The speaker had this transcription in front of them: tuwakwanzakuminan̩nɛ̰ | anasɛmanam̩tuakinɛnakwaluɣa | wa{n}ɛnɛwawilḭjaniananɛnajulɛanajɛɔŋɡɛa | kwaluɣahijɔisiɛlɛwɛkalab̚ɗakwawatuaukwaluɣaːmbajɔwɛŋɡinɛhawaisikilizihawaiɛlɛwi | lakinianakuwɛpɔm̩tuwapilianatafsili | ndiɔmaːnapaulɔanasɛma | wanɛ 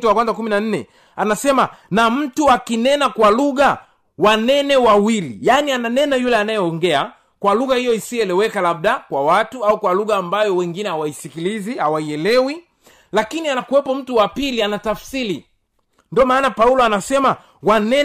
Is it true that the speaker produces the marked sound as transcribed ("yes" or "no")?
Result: yes